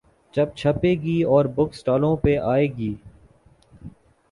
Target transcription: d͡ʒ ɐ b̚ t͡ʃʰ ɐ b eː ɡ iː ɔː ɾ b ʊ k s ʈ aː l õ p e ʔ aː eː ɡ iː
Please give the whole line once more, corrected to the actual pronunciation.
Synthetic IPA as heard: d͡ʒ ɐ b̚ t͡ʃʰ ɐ p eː ɡ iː ɔː ɾ b ʊ k s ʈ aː l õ p e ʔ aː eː ɡ iː